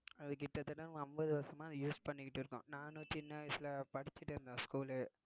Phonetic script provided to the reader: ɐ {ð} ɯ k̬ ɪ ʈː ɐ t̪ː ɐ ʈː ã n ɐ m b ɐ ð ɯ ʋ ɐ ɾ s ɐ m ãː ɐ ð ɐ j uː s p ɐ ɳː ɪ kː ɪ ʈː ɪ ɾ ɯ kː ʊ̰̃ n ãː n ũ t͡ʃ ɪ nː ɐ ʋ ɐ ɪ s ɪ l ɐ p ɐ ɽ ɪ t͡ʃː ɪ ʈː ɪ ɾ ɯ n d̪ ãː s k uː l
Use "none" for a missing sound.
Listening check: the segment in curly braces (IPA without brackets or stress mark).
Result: ð